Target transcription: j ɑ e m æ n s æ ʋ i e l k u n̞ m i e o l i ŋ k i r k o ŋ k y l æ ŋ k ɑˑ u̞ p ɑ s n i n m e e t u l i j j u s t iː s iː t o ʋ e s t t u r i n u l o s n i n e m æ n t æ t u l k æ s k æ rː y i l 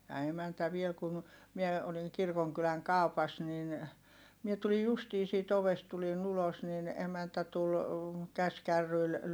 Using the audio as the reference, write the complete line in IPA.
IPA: j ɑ e m æ n t æ ʋ i e l k u n̞ m i e o l i ŋ k i r k o ŋ k y l æ ŋ k ɑˑ u̞ p ɑ s n i n m i e t u l i j j u s t iː s iː t o ʋ e s t t u l i n u l o s n i n e m æ n t æ t u l k æ s k æ rː y i l